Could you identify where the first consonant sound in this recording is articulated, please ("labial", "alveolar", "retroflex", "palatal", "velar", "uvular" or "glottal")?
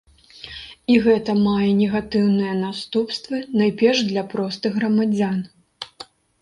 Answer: velar